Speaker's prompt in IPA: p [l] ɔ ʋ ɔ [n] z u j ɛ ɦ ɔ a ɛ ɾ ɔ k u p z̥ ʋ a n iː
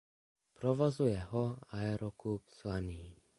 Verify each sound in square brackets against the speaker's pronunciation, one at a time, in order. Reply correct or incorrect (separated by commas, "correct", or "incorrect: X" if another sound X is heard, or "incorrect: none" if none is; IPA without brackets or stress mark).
incorrect: ɾ, incorrect: none